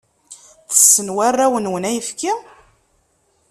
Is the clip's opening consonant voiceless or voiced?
voiceless